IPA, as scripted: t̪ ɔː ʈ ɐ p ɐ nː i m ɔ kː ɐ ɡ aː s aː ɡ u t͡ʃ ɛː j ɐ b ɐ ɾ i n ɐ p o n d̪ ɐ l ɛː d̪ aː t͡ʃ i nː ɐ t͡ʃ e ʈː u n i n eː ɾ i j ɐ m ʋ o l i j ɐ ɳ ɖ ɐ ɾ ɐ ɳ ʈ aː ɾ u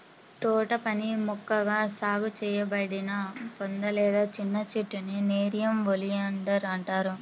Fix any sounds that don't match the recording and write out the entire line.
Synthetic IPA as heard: t̪ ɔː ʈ ɐ p ɐ n i m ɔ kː ɐ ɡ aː s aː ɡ u t͡ʃ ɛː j ɐ b ɐ ɽ i n ɐ p o n d̪ ɐ l ɛː d̪ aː t͡ʃ i nː ɐ t͡ʃ e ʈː u n i n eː ɾ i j ɐ m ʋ o l i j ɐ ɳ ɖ ɐ ɾ ɐ ɳ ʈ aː ɾ u